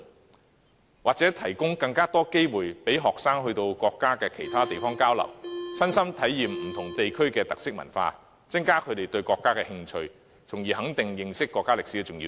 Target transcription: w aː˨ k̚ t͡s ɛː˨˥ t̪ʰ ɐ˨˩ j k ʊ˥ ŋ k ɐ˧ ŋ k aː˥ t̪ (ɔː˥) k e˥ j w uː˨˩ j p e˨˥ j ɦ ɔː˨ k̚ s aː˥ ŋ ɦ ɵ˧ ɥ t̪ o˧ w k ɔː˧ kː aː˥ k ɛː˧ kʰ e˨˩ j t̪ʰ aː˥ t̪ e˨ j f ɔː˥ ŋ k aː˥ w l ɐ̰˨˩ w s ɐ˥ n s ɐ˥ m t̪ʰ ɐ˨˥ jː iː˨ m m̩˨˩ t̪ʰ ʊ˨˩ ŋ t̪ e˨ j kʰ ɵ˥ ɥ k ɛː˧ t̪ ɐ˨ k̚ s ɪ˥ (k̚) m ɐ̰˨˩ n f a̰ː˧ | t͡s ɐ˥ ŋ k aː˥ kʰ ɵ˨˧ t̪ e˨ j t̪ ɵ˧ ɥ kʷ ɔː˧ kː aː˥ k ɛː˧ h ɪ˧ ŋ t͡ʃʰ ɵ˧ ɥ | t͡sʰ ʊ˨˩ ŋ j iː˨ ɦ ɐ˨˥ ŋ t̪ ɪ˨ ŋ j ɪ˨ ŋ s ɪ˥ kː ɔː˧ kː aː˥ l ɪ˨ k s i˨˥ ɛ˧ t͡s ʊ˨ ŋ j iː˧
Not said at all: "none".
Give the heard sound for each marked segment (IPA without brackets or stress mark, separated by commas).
ɔː˥, k̚